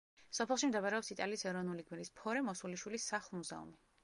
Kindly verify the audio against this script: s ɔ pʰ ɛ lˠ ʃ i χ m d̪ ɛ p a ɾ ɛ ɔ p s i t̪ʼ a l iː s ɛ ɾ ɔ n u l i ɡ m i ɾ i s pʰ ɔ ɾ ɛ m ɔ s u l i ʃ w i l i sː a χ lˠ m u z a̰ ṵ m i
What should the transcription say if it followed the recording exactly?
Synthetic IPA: s ɔ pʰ ɛ lˠ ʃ i m d̪ ɛ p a ɾ ɛ ɔ p s i t̪ʼ a l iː s ɛ ɾ ɔ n u l i ɡ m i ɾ i s pʰ ɔ ɾ ɛ m ɔ s u l i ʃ w i l i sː a χ lˠ m u z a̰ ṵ m i